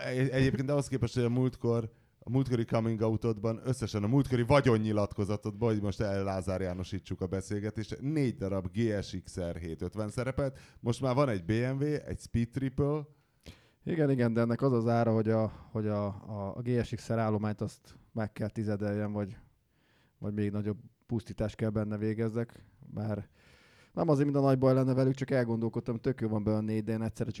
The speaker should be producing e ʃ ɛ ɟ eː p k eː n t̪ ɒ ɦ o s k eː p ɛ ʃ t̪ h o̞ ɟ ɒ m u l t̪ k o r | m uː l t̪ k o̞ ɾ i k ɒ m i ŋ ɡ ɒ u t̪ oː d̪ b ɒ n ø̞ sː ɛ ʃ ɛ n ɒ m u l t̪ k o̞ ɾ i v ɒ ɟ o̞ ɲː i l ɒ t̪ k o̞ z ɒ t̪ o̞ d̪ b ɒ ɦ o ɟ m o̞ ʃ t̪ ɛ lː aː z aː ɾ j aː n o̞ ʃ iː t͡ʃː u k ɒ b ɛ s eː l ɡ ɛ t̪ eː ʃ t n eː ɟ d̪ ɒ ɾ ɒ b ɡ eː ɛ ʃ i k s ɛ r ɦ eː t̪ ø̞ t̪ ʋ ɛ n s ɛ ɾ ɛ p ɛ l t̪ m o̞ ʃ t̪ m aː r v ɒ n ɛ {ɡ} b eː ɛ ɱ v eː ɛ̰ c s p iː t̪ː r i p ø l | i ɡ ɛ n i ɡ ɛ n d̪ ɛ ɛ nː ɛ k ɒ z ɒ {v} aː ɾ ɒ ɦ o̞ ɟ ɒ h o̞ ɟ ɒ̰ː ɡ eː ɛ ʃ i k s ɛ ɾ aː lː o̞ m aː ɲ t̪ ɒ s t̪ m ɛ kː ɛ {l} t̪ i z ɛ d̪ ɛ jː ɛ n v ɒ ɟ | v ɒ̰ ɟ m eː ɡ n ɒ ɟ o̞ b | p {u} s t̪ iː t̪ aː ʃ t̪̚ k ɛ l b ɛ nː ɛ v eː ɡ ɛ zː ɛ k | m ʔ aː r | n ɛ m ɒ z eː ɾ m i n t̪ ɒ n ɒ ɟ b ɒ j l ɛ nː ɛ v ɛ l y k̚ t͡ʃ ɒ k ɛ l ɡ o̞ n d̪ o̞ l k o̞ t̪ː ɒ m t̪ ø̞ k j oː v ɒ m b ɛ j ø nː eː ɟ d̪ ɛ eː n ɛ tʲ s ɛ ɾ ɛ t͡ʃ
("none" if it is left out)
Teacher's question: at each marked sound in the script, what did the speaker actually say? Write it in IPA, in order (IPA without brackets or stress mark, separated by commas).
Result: ɟ, z, l, u